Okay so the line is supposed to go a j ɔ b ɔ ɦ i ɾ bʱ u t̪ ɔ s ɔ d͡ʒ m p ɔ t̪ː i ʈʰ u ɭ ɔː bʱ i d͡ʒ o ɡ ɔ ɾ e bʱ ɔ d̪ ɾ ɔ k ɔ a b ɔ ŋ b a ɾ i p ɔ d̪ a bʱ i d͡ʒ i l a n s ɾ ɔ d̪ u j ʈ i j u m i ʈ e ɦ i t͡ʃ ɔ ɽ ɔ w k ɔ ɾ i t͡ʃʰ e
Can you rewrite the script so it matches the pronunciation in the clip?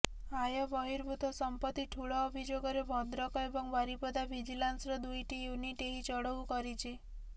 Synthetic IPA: a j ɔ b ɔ ɦ i ɾ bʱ u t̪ ɔ s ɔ m p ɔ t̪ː i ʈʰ u ɭ ɔː bʱ i d͡ʒ o ɡ ɔ ɾ e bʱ ɔ d̪ ɾ ɔ k ɔ e b ɔ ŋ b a ɾ i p ɔ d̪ a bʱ i d͡ʒ i l a n s ɾ ɔ d̪ u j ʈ i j u n i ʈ e ɦ i t͡ʃ ɔ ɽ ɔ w k ɔ ɾ i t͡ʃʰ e